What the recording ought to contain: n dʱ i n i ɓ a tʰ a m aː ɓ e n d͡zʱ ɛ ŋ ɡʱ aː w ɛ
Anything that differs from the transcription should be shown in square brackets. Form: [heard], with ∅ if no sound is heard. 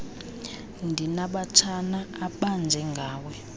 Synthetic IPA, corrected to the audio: n dʱ i n [a] ɓ a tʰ a [n] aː ɓ [a] n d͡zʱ ɛ ŋ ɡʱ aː w ɛ